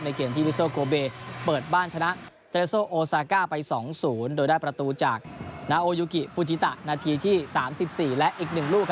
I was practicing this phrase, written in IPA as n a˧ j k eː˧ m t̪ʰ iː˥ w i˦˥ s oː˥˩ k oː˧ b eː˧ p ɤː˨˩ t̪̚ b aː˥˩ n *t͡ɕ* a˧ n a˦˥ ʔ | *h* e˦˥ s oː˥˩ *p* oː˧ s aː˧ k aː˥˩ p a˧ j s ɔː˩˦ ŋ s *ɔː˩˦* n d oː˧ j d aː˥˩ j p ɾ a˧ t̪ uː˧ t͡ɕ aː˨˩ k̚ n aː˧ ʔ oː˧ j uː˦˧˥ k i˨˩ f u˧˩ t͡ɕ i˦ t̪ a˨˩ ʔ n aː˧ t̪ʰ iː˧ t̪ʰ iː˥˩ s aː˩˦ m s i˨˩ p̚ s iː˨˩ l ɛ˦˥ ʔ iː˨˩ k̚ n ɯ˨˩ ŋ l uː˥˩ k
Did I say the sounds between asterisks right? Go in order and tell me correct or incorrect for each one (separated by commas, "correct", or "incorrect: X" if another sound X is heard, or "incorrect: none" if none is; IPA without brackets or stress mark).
incorrect: t͡ɕʰ, incorrect: s, incorrect: ʔ, incorrect: uː˩˦